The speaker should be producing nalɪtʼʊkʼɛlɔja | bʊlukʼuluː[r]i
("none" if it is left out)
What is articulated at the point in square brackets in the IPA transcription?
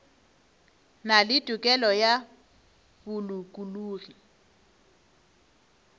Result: r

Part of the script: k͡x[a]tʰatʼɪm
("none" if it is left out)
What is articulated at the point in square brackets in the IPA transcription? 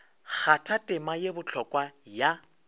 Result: a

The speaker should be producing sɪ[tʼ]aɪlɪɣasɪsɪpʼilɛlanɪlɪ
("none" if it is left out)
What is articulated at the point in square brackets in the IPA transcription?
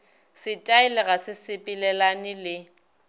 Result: tʼ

